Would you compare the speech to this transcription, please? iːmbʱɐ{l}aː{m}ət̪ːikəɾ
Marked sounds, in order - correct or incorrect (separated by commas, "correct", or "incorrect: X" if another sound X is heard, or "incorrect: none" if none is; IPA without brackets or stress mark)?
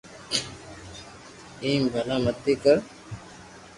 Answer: correct, correct